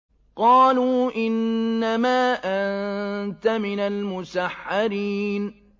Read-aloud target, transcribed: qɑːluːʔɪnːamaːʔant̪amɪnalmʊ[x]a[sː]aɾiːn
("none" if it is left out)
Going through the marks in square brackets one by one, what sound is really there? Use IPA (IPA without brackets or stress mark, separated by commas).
s, ħː